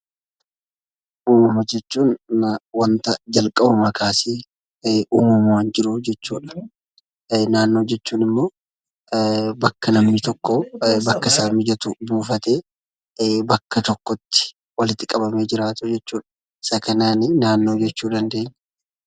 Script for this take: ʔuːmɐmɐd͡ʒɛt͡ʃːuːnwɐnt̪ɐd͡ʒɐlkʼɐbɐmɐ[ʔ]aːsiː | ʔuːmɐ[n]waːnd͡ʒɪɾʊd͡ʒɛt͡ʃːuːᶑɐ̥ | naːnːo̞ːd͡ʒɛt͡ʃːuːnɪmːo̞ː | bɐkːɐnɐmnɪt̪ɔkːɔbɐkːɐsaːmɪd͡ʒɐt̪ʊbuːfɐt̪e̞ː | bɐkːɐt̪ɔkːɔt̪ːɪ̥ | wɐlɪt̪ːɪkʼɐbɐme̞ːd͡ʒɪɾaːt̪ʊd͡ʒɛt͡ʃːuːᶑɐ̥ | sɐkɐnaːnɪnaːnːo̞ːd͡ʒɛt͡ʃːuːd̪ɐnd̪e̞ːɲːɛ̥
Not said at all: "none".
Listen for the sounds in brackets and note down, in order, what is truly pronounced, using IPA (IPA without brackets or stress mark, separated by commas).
k, m